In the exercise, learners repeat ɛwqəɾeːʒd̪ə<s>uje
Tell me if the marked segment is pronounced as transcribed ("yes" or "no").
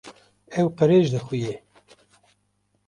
no